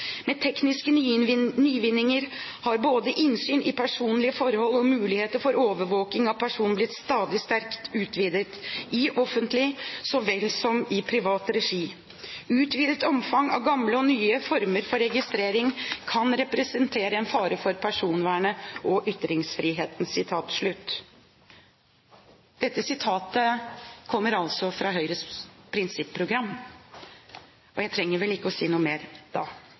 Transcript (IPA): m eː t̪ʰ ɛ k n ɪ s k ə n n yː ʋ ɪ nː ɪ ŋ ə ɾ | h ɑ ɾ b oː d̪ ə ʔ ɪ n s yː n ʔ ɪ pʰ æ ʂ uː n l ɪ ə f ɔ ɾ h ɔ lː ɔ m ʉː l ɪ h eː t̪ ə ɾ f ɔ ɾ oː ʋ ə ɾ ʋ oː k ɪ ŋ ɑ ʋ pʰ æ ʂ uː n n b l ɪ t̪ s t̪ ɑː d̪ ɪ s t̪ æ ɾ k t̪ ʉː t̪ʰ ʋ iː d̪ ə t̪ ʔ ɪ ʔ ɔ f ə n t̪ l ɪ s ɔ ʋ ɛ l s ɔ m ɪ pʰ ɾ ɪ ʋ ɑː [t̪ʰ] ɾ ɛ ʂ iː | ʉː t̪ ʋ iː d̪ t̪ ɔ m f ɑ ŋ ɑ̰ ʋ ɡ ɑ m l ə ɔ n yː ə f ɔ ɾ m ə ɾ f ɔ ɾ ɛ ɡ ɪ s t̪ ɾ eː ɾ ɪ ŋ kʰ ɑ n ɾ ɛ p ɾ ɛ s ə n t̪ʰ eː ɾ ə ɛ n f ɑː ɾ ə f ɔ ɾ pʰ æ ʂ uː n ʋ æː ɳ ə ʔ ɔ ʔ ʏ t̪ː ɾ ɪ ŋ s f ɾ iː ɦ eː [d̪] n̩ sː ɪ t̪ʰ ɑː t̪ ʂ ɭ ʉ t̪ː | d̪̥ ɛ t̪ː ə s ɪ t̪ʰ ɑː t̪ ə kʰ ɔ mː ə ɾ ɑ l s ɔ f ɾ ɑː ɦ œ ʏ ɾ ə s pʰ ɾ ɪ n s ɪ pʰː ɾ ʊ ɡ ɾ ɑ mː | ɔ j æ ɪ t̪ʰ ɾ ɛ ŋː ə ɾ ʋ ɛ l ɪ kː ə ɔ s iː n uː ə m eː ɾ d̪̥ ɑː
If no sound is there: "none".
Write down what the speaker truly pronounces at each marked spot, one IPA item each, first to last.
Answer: t̪, t̪

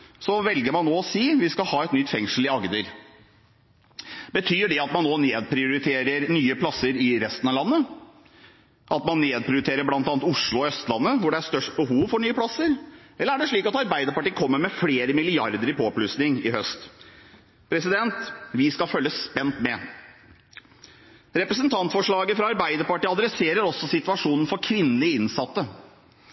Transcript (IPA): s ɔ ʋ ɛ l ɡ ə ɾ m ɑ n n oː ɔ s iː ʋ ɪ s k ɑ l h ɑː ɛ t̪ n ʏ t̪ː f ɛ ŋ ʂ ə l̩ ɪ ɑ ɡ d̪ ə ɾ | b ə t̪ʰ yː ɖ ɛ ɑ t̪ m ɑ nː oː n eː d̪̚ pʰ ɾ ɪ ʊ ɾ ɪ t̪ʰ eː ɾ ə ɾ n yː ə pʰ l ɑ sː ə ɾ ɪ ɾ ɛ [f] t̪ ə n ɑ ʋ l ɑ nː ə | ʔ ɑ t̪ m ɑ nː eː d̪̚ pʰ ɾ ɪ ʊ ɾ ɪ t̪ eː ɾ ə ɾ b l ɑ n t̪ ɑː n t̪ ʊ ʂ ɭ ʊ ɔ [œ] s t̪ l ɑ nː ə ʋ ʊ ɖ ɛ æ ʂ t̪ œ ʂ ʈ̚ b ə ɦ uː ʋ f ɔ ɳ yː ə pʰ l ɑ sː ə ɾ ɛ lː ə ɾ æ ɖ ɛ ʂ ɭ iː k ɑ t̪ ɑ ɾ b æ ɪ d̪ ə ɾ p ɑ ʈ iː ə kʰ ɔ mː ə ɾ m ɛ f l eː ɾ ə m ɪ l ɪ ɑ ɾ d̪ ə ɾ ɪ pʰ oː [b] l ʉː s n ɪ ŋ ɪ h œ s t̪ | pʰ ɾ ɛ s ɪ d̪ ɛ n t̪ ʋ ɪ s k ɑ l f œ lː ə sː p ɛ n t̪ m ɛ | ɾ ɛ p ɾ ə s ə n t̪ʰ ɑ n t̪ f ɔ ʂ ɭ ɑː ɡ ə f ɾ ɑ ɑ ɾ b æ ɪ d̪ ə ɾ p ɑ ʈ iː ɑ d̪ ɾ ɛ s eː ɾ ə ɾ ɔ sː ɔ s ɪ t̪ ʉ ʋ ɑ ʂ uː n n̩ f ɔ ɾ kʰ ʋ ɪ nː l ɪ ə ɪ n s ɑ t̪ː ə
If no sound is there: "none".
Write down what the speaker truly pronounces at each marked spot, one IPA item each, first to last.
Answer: s, œ, p

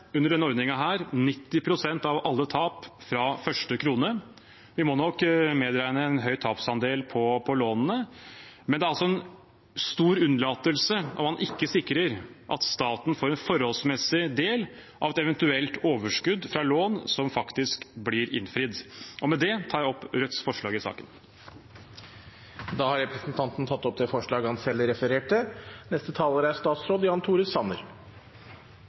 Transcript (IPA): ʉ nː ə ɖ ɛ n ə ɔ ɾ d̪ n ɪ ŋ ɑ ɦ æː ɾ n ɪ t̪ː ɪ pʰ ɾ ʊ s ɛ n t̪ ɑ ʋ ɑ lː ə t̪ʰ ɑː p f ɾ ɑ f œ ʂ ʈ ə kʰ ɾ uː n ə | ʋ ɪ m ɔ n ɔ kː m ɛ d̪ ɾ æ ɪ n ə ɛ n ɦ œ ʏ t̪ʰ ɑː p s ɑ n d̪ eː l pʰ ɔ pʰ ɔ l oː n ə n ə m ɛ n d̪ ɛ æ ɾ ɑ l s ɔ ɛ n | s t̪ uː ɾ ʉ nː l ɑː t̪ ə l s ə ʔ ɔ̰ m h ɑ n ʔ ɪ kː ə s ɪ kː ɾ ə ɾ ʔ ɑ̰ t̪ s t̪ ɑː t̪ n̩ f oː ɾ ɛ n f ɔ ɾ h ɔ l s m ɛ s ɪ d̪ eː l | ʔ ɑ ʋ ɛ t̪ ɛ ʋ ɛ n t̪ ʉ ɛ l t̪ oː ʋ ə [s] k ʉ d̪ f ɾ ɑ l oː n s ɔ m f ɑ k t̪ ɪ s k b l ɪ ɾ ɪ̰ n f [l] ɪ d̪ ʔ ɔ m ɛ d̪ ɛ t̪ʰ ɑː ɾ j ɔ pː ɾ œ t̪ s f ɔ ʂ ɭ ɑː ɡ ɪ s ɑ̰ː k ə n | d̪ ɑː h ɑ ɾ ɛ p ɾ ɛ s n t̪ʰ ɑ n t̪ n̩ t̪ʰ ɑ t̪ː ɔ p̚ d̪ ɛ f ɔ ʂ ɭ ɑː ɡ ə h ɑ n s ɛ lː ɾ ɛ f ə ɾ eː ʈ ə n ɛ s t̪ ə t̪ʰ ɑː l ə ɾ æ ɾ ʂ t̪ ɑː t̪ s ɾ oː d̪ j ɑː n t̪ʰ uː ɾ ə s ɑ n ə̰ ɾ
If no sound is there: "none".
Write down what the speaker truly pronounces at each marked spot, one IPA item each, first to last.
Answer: ʂ, ɾ

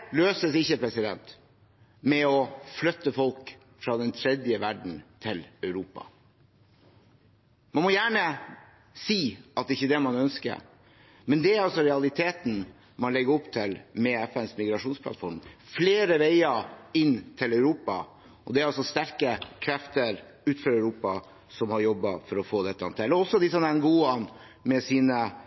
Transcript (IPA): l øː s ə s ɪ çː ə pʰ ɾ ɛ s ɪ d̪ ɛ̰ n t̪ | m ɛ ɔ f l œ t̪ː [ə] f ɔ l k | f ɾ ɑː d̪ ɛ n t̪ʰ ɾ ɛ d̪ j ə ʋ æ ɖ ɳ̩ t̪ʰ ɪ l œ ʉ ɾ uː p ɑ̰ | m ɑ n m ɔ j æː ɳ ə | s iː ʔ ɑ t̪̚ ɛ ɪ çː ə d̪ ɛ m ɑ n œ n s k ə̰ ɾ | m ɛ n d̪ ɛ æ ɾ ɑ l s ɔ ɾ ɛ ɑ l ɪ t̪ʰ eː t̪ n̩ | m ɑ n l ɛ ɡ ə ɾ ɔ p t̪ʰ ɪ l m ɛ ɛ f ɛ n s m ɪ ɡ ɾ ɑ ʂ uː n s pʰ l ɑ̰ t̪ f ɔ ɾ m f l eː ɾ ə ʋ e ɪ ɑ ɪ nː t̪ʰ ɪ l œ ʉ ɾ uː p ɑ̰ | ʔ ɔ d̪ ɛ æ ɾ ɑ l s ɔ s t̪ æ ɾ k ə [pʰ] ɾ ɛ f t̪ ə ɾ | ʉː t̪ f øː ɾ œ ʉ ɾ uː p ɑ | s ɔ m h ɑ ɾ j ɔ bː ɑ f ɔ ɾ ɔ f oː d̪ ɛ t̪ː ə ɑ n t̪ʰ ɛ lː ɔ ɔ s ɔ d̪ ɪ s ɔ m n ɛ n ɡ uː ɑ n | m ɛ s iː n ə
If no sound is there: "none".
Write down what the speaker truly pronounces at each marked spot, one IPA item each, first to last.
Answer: ə, kʰ

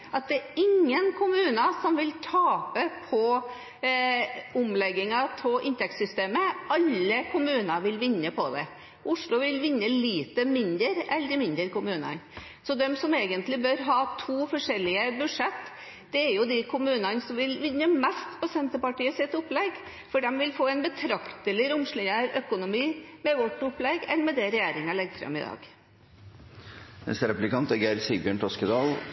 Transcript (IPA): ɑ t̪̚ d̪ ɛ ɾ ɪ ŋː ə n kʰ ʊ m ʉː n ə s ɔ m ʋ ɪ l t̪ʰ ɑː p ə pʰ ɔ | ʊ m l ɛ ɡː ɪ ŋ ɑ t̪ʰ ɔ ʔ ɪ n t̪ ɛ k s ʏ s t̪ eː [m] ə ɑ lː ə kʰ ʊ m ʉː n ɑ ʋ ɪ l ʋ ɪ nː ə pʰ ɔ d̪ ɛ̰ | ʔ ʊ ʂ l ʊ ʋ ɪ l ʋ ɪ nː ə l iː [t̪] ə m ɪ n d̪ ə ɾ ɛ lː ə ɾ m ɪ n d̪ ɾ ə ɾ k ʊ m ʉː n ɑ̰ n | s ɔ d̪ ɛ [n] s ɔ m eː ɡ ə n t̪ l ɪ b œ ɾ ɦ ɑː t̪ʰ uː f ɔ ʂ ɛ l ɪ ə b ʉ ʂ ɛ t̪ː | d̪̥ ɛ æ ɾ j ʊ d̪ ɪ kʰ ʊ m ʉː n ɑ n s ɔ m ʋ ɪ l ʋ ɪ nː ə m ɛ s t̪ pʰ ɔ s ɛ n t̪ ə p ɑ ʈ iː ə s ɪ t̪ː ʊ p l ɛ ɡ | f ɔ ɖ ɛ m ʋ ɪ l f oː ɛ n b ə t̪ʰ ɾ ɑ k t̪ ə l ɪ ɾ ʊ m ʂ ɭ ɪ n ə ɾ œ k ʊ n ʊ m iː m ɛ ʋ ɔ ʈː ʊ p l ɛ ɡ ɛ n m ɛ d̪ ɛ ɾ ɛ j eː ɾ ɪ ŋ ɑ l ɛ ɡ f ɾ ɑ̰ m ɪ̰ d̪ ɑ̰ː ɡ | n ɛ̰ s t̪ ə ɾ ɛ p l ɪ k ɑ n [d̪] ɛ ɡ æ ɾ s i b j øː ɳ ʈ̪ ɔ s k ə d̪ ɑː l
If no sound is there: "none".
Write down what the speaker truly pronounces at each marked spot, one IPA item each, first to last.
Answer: m, t̪, m, t̪

